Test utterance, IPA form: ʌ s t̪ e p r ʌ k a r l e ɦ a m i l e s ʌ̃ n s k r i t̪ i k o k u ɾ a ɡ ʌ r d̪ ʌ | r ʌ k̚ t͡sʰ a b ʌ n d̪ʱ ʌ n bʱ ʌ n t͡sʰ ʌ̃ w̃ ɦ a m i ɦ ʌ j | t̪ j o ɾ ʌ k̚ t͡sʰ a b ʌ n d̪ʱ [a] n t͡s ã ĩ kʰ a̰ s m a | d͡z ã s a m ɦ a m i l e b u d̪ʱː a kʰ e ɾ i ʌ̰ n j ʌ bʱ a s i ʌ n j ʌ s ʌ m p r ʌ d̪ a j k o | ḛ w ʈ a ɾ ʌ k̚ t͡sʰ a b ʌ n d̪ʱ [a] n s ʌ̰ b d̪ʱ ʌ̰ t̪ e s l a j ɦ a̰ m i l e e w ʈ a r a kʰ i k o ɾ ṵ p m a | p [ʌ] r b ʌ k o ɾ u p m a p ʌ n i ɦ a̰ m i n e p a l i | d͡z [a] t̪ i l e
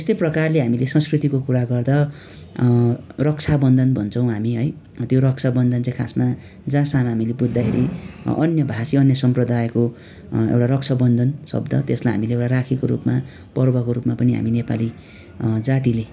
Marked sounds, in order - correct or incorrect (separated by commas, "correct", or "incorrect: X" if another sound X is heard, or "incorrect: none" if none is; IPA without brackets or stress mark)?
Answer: incorrect: ʌ, incorrect: ʌ, correct, correct